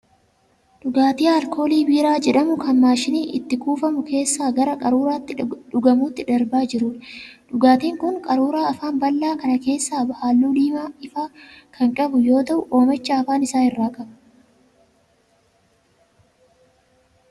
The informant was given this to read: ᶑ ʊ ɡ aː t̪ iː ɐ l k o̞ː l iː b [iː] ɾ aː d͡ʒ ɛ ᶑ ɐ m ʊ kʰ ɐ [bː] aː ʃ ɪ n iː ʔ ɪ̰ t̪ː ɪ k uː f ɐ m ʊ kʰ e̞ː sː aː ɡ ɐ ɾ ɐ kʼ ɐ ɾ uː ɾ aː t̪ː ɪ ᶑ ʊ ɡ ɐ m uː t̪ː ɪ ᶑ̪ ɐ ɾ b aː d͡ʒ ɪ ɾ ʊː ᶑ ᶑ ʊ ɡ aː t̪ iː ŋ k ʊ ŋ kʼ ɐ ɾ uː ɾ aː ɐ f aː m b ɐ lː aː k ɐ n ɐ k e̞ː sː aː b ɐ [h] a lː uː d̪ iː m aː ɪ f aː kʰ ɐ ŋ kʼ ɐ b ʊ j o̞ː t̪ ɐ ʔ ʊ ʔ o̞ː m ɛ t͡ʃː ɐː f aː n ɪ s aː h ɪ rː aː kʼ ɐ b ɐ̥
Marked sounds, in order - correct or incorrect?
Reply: correct, incorrect: mː, correct

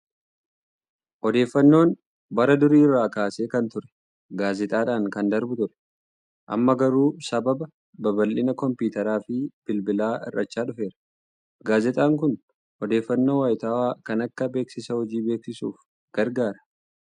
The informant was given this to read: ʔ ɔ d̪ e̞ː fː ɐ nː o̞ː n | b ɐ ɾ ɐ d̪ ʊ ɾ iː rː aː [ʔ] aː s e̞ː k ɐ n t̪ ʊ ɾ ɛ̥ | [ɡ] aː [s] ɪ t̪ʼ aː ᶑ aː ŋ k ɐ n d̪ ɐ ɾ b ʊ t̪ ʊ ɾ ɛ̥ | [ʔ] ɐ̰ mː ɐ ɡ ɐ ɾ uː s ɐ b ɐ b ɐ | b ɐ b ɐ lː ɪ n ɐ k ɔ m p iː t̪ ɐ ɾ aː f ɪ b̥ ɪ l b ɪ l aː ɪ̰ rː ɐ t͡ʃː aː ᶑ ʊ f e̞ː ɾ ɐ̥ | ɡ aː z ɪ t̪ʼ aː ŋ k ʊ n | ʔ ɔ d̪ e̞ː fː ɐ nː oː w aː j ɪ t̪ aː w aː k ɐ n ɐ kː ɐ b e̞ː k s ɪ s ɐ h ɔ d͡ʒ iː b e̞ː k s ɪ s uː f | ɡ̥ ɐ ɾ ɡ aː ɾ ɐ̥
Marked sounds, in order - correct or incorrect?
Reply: incorrect: k, correct, incorrect: z, correct

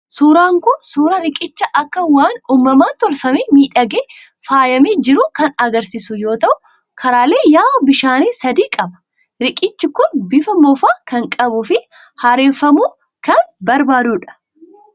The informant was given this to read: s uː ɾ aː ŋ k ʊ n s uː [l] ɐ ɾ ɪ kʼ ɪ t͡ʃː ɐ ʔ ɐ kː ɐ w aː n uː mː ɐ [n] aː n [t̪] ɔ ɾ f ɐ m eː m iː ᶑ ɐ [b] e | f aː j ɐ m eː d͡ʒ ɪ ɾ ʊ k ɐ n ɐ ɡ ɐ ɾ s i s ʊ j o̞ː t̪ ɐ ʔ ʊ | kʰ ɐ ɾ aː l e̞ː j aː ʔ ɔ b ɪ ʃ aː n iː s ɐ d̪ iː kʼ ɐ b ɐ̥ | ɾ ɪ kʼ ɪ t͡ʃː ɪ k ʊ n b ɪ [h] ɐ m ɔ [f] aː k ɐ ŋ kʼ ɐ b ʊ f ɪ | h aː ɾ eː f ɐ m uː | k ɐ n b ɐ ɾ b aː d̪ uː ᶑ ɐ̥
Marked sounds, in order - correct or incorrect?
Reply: incorrect: ɾ, incorrect: m, correct, incorrect: ɡ, incorrect: f, correct

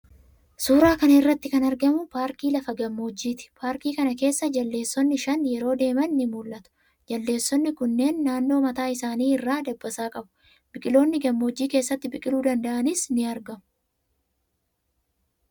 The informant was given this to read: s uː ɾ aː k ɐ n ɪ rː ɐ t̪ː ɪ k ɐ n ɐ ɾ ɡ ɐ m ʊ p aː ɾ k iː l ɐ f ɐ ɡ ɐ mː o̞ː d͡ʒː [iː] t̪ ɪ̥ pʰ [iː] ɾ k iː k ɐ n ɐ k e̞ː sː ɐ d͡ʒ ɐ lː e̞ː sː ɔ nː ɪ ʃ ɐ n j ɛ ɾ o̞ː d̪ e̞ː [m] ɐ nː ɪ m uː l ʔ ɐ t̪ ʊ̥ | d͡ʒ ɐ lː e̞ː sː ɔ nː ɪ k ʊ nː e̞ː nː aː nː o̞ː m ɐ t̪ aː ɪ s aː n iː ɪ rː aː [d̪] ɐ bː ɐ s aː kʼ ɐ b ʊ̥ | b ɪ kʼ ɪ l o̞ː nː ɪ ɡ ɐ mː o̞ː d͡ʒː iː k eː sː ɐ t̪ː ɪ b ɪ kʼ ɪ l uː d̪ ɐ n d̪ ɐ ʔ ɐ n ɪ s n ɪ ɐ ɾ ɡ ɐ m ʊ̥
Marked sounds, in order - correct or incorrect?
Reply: correct, incorrect: aː, correct, correct

